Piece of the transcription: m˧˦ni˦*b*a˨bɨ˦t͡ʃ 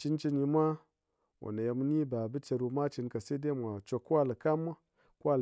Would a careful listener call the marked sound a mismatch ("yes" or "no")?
no